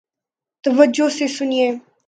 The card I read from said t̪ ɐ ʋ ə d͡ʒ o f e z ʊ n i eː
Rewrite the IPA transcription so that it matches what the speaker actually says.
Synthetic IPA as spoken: t̪ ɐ ʋ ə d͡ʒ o s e s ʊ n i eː